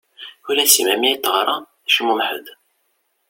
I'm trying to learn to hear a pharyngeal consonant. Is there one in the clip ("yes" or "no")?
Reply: yes